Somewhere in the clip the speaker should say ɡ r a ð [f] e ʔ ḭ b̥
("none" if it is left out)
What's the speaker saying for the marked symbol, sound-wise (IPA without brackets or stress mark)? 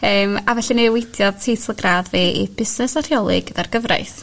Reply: v